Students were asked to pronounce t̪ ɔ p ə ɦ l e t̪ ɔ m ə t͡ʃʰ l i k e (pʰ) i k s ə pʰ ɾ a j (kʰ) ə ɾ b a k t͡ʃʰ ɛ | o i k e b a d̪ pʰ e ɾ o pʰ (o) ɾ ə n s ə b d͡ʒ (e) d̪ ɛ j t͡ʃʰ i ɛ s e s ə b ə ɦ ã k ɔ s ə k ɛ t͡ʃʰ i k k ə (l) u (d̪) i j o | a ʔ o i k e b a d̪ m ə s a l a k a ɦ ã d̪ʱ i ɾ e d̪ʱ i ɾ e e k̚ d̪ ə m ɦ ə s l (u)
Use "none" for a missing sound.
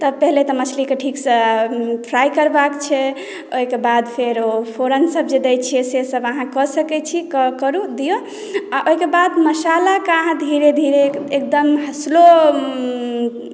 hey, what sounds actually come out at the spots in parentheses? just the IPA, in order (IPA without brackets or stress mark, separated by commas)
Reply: ʈʰ, k, o, e, ɾ, d̪, o